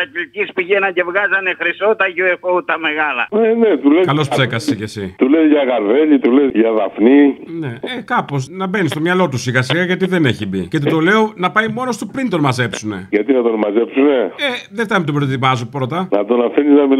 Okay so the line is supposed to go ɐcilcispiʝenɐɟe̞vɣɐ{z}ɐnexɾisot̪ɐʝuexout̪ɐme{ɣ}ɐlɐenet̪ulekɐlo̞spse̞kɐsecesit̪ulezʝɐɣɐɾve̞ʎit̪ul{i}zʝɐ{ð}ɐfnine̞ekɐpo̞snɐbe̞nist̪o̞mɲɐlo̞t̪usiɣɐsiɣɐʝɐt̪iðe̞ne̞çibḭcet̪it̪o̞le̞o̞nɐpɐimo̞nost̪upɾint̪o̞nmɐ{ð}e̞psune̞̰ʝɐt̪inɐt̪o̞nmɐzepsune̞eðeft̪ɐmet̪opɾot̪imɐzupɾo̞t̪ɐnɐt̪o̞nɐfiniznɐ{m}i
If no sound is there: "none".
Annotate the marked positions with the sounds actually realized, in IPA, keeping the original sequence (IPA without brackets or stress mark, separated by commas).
z, ɣ, e, ð, z, m